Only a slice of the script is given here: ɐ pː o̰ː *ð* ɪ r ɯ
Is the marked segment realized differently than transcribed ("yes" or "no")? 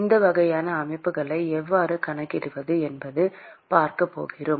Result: yes